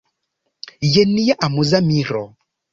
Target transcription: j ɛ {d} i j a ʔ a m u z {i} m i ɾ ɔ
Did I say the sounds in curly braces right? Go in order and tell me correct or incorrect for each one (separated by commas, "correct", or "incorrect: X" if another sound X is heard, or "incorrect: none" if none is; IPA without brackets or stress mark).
incorrect: n, incorrect: a